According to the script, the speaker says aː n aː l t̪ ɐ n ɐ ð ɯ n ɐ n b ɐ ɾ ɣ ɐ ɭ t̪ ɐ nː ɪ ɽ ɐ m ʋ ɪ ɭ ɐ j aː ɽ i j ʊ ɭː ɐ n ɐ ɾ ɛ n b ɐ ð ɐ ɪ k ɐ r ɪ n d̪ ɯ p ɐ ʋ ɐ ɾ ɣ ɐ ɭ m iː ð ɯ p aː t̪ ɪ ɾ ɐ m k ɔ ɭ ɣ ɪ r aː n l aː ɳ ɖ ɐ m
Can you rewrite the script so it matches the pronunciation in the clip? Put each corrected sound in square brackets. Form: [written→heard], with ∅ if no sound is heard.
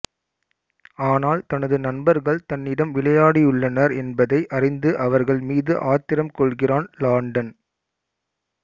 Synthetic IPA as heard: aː n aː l t̪ ɐ n ɐ ð ɯ n ɐ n b ɐ ɾ ɣ ɐ ɭ t̪ ɐ nː ɪ ɽ ɐ m ʋ ɪ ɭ ɐ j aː ɽ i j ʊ ɭː ɐ n ɐ ɾ ɛ n b ɐ ð ɐ ɪ [k→ʔ] ɐ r ɪ n d̪ ɯ [p→ʔ] ɐ ʋ ɐ ɾ ɣ ɐ ɭ m iː ð ɯ [p→ʔ] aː t̪ ɪ ɾ ɐ m k ɔ ɭ ɣ ɪ r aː n l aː ɳ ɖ ɐ [m→n]